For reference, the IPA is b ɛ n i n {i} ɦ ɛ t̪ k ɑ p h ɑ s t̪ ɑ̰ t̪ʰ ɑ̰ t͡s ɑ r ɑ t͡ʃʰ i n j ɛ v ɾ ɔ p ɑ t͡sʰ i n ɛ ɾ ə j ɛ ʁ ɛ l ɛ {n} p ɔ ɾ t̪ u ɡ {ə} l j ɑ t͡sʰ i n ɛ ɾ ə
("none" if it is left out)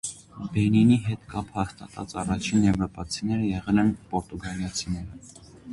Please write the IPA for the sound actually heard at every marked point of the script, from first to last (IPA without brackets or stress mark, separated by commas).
i, n, ɑ